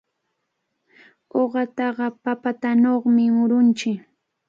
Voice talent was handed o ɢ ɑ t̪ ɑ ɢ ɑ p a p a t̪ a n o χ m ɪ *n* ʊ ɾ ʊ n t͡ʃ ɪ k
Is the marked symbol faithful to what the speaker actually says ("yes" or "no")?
no